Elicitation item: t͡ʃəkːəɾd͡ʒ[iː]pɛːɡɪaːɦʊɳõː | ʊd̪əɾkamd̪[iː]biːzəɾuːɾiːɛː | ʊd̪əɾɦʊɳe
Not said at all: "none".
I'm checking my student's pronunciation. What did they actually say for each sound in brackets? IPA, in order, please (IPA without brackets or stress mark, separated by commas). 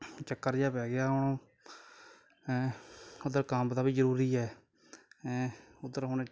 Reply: aː, aː